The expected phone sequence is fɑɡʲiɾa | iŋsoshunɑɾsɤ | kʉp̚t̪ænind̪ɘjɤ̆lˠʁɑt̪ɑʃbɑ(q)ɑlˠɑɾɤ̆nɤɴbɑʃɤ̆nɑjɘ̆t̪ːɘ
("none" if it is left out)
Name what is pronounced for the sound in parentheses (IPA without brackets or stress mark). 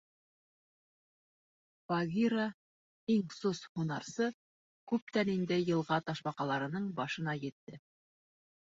q